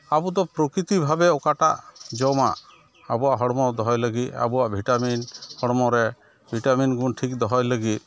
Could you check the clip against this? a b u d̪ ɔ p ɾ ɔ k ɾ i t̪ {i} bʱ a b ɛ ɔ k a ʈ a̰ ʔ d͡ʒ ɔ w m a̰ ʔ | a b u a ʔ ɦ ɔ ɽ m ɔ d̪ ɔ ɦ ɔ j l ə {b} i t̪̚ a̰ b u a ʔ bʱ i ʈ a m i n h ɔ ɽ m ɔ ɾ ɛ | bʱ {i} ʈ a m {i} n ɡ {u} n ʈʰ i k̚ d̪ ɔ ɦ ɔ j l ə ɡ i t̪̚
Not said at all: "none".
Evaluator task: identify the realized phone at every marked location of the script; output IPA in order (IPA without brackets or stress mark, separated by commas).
i, ɡ, i, i, u